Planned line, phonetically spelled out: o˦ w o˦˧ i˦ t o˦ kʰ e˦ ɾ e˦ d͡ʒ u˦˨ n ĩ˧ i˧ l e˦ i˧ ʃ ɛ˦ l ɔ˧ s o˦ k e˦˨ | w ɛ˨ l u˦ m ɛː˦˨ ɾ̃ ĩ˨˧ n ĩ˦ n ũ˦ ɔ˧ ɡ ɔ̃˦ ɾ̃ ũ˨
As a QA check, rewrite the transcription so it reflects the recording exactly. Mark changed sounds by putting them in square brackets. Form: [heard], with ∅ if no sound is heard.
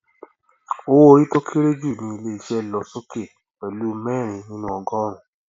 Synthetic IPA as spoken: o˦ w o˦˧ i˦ t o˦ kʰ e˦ ɾ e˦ d͡ʒ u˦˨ n ĩ˧ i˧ l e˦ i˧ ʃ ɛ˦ l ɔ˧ s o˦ k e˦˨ | w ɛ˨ l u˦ m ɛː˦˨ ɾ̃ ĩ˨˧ n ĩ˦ n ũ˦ ɔ˧ ɡ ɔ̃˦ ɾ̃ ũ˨